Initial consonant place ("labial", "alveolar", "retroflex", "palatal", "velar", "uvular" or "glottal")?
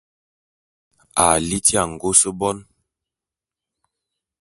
alveolar